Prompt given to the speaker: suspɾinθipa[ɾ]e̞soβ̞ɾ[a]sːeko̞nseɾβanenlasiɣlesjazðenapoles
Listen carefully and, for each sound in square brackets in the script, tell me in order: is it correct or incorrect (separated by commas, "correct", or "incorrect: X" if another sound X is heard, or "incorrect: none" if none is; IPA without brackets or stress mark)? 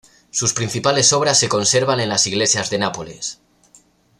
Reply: incorrect: l, correct